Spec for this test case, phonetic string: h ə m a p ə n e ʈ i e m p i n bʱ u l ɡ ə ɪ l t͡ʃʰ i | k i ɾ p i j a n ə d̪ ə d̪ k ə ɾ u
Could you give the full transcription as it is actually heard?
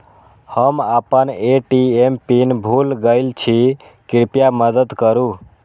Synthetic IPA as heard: h ə m a p ə n e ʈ i e m p i n bʱ u l ɡ ə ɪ l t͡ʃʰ i | k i ɾ p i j a m ə d̪ ə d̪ k ə ɾ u